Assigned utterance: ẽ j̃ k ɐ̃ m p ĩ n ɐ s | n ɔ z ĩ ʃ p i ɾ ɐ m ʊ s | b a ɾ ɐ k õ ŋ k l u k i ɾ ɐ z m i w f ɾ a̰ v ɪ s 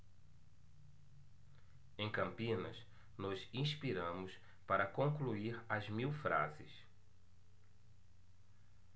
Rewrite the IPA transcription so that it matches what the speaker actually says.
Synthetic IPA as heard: ẽ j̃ k ɐ̃ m p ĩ n ɐ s | n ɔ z ĩ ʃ p i ɾ ɐ̃ m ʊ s | p a ɾ ɐ k õ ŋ k l u i ɾ ɐ z m i w f ɾ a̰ z ɪ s